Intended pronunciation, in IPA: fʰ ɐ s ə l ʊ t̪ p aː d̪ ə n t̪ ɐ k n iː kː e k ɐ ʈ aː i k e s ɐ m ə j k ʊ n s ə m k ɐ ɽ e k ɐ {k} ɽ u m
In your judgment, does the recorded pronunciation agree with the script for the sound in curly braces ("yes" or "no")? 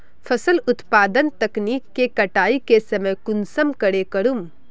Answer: no